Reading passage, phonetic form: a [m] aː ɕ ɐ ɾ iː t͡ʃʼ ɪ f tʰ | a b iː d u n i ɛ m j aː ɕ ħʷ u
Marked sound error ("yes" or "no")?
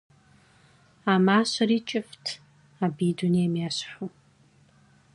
no